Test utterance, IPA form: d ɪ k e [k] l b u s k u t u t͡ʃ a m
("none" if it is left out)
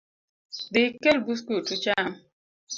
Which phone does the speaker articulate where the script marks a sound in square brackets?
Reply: none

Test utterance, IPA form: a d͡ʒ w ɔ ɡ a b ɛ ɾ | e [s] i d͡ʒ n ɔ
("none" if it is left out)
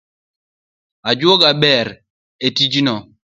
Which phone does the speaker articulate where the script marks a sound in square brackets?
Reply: t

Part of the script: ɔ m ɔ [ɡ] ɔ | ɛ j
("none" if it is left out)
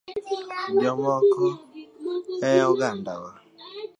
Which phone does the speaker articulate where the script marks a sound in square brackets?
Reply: k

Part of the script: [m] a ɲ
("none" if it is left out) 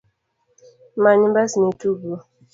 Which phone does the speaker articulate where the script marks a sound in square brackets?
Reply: m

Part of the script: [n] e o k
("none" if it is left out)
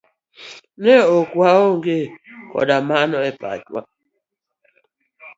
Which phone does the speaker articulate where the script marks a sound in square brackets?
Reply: n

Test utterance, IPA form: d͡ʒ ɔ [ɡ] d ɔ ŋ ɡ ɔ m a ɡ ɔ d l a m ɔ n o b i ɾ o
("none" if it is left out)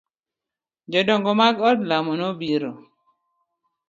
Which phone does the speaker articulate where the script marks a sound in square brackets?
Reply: none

